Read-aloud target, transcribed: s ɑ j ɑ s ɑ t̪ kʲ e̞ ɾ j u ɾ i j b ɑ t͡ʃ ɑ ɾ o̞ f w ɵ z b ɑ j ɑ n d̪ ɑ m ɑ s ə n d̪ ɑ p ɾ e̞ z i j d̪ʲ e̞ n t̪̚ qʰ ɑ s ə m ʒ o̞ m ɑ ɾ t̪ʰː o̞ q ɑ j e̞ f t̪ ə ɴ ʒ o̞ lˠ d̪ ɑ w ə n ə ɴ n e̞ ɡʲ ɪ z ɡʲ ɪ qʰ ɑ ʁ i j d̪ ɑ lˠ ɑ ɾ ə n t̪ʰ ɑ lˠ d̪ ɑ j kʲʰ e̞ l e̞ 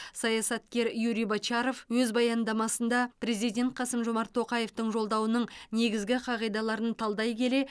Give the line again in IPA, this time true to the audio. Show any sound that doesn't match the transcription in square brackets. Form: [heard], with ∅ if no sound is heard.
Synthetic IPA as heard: s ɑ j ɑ s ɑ t̪ kʲ e̞ ɾ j u ɾ i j b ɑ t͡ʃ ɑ ɾ o̞ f w ɵ z b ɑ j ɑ n d̪ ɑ m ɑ s ə n d̪ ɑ p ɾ e̞ z i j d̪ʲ e̞ n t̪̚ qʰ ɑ s ə m ʒ o̞ m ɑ ɾ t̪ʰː o̞ q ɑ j e̞ f t̪ ə ɴ ʒ o̞ lˠ d̪ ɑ w ə n ə ɴ n e̞ ɡʲ ɪ z ɡʲ ɪ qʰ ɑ ʁ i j d̪ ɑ lˠ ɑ ɾ ə n t̪ʰ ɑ lˠ d̪ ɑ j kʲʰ e̞ l e̞